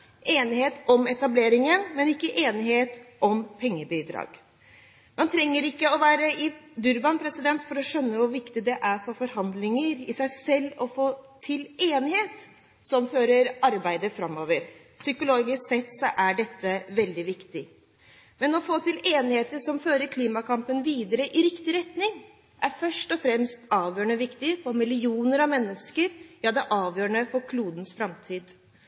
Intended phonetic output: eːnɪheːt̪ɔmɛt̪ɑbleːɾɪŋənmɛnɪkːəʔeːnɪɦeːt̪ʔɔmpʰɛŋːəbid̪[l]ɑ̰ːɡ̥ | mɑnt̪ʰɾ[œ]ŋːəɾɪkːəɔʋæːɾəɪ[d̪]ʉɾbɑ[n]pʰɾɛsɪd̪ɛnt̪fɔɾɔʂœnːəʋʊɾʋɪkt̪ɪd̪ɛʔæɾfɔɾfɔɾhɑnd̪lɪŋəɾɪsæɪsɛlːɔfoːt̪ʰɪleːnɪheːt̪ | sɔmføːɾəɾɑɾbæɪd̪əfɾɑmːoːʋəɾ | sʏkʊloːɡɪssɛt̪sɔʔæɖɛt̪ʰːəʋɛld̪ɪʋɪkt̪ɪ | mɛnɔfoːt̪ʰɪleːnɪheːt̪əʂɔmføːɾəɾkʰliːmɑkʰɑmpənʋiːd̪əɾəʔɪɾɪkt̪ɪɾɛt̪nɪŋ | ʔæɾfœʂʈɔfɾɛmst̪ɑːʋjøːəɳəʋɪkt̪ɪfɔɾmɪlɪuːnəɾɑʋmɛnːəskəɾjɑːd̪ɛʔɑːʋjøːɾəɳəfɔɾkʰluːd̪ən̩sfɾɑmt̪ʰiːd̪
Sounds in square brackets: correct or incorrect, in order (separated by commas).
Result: incorrect, incorrect, correct, correct